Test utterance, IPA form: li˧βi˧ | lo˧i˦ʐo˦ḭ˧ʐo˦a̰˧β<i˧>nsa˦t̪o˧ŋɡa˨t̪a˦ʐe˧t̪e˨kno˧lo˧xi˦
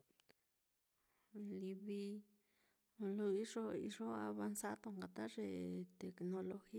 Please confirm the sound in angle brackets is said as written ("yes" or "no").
no